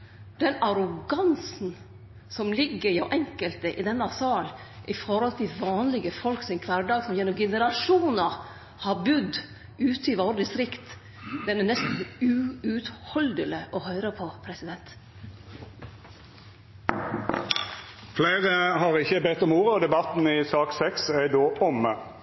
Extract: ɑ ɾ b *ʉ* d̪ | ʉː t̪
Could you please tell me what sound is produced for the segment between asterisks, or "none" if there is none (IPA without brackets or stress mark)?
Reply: ʉ